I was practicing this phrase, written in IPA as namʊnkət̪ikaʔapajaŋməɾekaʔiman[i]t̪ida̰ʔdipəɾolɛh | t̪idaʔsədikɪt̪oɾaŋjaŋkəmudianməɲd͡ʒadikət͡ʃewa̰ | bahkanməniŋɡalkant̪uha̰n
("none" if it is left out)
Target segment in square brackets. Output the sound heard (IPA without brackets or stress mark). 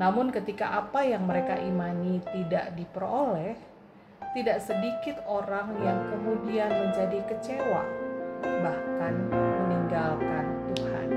i